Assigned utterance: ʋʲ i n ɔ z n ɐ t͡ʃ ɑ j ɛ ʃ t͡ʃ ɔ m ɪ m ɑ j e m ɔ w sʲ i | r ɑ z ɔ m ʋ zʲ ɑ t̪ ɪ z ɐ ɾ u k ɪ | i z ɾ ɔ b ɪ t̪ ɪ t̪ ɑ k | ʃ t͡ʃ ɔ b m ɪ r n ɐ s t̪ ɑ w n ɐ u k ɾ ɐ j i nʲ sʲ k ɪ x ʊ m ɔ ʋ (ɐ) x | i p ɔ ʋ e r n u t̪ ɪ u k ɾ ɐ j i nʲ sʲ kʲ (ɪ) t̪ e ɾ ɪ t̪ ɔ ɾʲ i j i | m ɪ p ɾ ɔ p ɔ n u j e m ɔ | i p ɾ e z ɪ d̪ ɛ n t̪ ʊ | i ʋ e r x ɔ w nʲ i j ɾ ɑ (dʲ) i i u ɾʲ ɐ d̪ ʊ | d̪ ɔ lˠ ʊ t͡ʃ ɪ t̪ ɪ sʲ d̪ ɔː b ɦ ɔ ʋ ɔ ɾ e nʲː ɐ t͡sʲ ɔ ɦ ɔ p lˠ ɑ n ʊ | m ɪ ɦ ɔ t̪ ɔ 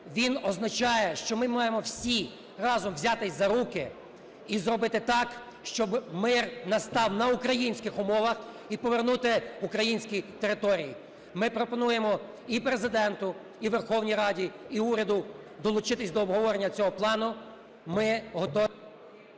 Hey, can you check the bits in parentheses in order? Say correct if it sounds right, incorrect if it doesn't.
correct, incorrect: i, correct

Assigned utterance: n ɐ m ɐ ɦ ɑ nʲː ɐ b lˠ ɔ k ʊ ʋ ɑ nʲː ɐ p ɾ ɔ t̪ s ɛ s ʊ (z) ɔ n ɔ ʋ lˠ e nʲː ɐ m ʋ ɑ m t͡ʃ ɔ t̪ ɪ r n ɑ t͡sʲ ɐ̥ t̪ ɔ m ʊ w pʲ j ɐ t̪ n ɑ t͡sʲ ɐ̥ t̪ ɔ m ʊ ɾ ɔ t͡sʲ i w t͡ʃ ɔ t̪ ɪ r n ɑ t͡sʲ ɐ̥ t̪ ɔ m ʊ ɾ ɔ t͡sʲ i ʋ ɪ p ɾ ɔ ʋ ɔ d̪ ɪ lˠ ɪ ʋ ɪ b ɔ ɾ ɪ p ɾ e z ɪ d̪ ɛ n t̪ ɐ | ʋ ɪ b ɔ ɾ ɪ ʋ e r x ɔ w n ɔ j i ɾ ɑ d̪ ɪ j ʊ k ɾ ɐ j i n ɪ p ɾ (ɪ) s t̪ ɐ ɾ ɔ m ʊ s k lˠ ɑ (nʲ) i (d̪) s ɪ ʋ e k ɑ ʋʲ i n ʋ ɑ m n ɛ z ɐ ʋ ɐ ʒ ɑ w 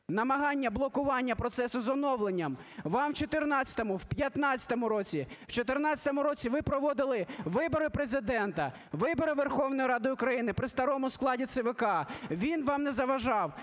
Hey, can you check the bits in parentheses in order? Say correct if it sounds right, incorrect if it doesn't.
correct, correct, incorrect: dʲ, incorrect: t̪

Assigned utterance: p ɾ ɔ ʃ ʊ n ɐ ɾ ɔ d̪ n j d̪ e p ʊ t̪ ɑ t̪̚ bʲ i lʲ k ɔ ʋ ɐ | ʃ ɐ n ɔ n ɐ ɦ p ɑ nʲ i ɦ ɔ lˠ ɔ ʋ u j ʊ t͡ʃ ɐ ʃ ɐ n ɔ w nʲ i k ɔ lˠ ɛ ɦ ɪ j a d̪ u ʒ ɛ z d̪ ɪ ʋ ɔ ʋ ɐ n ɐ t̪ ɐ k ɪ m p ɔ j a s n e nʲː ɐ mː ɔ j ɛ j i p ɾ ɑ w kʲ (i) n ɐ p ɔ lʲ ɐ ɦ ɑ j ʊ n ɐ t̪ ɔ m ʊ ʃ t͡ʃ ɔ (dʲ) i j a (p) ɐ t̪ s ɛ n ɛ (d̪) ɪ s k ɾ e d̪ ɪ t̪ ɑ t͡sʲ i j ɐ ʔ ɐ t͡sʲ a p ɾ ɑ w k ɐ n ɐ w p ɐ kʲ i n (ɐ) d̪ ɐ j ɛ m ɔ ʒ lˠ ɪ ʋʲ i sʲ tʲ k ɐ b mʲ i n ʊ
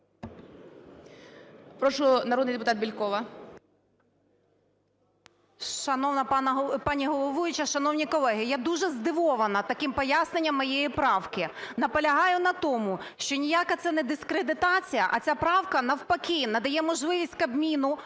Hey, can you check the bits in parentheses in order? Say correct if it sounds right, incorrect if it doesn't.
incorrect: ɪ, incorrect: nʲ, incorrect: k, correct, correct

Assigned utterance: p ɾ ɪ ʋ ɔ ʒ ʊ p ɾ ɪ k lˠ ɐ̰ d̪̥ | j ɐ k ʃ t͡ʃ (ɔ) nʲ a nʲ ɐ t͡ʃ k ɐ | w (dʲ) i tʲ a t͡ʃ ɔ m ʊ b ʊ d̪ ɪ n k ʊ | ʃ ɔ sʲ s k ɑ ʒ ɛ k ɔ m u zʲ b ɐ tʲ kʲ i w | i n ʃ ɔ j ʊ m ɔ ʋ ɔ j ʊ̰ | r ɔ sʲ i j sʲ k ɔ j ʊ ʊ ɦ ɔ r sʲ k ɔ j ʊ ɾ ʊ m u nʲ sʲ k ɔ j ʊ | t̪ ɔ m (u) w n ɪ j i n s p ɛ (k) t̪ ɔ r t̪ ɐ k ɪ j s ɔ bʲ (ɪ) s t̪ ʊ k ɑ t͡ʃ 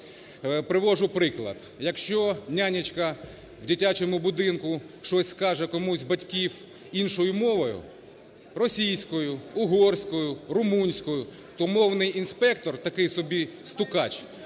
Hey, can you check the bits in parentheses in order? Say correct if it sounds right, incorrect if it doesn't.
correct, correct, incorrect: ɔ, correct, incorrect: i

